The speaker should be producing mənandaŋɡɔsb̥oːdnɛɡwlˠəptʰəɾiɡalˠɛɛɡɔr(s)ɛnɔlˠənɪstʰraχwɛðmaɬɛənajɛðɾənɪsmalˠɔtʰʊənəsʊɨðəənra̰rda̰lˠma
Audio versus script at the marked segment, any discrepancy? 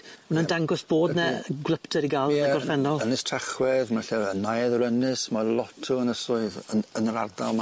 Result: yes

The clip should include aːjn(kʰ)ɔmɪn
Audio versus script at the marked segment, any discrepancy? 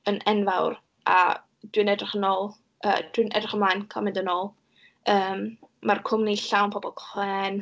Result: no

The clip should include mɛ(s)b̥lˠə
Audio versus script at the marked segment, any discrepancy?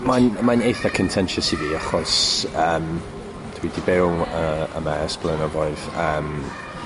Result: no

